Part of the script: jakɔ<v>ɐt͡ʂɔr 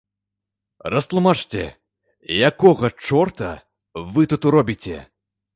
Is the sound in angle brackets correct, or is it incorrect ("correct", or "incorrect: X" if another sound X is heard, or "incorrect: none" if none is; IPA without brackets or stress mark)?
incorrect: ɣ